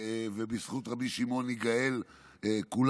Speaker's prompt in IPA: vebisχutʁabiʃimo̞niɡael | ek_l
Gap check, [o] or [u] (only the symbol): u